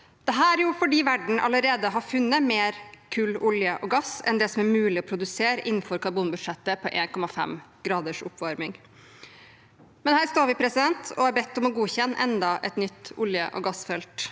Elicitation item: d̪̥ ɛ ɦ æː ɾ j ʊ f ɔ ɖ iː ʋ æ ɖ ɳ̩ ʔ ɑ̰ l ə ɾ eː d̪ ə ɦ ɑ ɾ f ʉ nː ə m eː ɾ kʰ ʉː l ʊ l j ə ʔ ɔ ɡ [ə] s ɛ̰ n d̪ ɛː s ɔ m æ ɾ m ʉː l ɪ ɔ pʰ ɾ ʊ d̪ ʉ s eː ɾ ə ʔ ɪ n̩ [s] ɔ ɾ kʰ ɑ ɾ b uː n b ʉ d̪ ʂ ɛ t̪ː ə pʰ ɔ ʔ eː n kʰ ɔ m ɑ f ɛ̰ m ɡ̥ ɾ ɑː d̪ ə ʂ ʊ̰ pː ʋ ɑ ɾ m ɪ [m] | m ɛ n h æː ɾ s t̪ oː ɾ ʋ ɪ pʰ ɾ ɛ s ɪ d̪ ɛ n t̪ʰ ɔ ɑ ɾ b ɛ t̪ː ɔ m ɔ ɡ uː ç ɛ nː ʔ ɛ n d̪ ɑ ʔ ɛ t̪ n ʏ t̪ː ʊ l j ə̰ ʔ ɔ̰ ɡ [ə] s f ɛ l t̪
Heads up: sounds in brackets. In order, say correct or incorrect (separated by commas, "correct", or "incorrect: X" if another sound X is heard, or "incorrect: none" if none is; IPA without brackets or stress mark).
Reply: incorrect: ɑ, incorrect: f, incorrect: ŋ, incorrect: ɑ